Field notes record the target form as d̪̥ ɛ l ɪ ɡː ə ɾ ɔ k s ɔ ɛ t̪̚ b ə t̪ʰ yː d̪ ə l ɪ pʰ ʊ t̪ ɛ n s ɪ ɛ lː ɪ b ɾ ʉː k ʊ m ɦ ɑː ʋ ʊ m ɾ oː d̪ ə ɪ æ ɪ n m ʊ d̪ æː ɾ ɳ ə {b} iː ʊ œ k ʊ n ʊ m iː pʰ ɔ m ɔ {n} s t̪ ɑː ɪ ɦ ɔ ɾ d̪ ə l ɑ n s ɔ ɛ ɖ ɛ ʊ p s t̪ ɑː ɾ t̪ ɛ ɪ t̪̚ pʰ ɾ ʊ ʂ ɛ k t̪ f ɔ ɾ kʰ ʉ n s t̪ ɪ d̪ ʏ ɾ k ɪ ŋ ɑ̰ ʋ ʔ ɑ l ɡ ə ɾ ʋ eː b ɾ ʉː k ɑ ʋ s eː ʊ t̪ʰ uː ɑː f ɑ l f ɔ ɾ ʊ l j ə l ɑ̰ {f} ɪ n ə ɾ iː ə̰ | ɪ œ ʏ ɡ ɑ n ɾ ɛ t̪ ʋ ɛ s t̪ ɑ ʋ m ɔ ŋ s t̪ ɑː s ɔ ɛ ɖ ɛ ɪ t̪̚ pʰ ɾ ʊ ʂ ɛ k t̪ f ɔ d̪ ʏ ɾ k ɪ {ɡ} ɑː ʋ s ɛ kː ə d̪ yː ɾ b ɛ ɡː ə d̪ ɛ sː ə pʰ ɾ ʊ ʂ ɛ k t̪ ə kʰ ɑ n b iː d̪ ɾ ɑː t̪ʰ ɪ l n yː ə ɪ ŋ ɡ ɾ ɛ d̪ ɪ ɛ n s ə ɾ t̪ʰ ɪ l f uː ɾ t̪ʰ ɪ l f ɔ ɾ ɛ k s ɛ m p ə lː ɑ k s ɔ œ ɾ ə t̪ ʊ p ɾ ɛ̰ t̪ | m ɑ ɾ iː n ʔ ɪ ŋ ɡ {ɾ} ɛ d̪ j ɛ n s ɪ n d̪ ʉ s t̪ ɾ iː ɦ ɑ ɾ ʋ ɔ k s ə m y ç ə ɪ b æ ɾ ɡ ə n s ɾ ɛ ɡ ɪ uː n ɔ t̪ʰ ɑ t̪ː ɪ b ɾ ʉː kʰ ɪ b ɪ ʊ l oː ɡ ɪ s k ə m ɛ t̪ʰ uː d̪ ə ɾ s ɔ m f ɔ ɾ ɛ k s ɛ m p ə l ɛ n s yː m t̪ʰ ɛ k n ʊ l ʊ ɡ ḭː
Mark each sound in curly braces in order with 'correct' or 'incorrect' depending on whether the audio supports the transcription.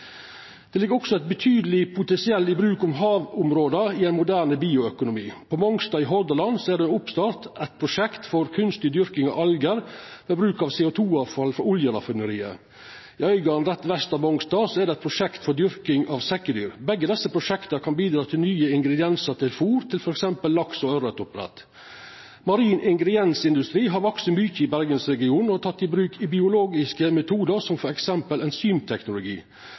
correct, incorrect, correct, incorrect, correct

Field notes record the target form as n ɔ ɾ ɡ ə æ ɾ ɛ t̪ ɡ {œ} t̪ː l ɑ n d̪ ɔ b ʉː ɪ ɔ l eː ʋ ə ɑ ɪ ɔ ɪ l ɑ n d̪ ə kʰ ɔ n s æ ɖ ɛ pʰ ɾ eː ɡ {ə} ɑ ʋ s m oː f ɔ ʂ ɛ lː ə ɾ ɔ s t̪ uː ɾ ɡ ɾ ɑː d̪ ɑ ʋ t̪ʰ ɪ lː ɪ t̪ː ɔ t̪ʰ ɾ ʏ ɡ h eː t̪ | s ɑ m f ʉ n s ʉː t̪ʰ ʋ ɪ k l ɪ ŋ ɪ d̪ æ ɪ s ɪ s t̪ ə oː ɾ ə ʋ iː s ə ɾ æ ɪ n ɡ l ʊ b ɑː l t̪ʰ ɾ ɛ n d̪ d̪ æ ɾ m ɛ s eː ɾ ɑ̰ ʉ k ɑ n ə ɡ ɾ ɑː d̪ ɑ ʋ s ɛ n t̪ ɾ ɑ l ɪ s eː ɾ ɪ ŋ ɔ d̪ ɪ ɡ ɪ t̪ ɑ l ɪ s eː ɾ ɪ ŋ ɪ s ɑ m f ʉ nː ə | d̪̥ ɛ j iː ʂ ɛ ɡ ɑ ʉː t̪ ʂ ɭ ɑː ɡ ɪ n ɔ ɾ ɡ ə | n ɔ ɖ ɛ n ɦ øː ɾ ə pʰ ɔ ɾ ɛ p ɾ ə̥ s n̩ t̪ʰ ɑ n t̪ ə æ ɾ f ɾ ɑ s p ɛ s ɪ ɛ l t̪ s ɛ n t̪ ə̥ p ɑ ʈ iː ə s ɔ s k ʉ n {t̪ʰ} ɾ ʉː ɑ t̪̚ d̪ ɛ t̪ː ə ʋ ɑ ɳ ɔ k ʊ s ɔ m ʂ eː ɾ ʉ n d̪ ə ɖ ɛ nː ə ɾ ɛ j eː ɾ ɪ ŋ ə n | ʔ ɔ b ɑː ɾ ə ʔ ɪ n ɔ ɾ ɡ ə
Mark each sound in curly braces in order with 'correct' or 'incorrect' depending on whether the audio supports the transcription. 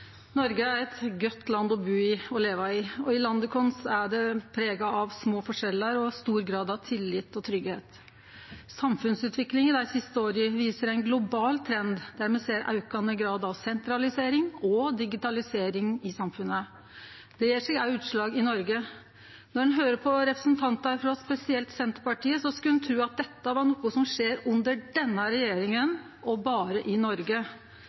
correct, incorrect, correct

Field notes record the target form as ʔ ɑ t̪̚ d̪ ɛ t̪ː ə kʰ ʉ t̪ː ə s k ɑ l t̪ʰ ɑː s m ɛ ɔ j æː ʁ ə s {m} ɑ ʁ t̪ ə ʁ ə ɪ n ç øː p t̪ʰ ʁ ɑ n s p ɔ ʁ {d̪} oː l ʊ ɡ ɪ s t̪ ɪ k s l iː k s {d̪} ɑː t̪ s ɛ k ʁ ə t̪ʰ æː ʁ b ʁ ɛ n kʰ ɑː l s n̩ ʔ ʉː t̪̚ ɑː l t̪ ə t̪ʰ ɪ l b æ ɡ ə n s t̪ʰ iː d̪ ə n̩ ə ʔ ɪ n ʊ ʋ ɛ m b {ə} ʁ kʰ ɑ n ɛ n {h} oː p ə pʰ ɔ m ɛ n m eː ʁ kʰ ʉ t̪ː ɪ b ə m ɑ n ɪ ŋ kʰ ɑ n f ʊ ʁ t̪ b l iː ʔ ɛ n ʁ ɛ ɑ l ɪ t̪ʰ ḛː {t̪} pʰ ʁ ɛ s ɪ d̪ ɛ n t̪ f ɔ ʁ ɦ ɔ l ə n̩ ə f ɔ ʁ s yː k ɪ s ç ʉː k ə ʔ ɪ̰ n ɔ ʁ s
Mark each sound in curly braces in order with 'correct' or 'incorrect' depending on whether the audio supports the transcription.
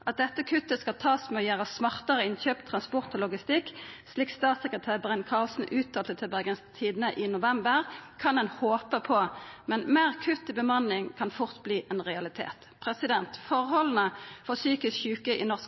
correct, incorrect, incorrect, correct, correct, correct

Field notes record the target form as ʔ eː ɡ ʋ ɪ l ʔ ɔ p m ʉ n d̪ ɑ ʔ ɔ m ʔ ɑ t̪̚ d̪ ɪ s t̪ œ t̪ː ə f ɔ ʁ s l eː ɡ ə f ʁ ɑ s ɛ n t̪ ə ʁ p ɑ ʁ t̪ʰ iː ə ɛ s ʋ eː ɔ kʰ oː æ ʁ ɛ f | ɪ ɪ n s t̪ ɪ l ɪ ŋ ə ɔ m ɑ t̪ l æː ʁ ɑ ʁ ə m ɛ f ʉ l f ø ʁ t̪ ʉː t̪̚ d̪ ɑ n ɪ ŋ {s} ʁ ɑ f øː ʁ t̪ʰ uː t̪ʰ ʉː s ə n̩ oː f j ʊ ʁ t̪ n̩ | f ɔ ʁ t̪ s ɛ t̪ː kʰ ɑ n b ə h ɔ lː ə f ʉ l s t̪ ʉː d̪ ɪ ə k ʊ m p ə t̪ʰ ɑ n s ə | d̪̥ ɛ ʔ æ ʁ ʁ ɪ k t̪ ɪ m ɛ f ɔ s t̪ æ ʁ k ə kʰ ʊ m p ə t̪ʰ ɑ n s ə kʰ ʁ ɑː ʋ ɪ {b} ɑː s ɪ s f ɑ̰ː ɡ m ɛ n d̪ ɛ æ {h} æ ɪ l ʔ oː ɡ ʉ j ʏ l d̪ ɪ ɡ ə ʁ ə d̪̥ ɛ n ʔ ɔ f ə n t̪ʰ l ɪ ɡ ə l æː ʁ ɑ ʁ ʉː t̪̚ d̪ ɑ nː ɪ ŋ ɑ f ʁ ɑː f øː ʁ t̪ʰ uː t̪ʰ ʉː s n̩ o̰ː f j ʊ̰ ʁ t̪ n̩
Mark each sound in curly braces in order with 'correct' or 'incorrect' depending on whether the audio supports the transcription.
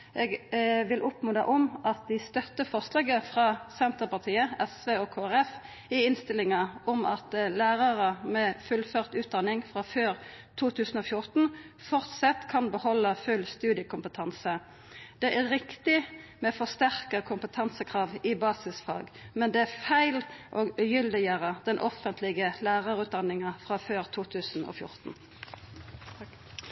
incorrect, correct, incorrect

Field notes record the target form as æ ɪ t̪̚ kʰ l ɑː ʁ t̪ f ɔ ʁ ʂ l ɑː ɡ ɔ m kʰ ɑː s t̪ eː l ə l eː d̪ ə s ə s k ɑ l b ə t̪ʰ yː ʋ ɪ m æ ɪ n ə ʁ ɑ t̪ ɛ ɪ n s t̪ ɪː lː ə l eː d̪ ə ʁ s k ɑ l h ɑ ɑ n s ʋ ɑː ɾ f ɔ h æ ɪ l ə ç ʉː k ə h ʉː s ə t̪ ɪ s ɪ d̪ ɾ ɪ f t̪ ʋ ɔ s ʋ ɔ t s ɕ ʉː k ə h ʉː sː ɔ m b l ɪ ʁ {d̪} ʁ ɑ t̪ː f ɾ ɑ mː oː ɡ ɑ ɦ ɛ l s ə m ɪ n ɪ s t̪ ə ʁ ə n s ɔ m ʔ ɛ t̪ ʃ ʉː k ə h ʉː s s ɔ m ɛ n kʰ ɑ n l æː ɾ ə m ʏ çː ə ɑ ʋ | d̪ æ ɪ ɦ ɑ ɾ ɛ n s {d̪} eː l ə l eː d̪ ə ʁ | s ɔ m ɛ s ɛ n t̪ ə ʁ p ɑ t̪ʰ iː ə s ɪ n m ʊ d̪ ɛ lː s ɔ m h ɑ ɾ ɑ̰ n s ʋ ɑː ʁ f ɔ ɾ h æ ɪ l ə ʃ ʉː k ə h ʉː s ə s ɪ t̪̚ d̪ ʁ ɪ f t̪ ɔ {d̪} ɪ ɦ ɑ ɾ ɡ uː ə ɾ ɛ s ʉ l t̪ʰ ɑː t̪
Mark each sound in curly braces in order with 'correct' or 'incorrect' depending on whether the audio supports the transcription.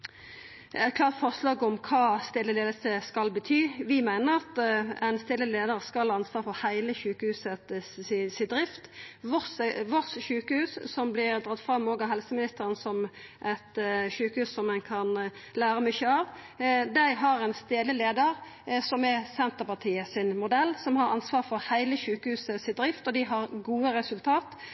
correct, incorrect, correct

